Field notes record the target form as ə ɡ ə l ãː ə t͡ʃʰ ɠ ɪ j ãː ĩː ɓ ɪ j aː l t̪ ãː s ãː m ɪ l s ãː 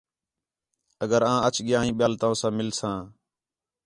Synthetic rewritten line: ə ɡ ə ɾ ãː ə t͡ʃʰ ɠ ɪ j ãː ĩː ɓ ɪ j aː l t̪ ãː s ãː m ɪ l s ãː